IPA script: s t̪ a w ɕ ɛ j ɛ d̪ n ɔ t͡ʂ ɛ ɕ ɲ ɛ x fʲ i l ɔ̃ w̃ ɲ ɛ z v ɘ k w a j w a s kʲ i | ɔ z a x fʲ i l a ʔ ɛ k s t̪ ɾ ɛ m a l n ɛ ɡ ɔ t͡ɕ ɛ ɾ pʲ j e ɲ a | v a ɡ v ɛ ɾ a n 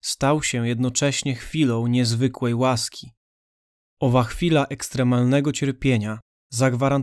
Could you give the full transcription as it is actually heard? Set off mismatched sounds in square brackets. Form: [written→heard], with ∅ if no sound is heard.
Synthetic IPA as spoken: s t̪ a w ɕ ɛ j ɛ d̪ n ɔ t͡ʂ ɛ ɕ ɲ ɛ x fʲ i l ɔ̃ w̃ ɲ ɛ z v ɘ k w [a→ɛ] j w a s kʲ i | ɔ [z→v] a x fʲ i l a ʔ ɛ k s t̪ ɾ ɛ m a l n ɛ ɡ ɔ t͡ɕ ɛ ɾ pʲ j e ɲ a | [v→z] a ɡ v [ɛ→a] ɾ a n